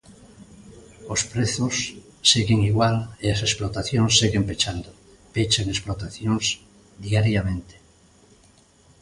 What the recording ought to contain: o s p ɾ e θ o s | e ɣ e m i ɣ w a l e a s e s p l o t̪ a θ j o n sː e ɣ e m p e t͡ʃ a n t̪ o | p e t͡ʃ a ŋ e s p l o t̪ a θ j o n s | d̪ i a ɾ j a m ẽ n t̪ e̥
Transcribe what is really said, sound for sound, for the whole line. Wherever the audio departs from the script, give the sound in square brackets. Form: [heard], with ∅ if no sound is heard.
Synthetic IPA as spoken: o s p ɾ e θ o [sː] | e ɣ e [ŋ] i ɣ w a l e a s e s p l o t̪ a θ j o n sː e ɣ e m p e t͡ʃ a n [d̪] o | p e t͡ʃ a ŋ e s p l o t̪ a θ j o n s | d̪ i a ɾ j a m ẽ n t̪ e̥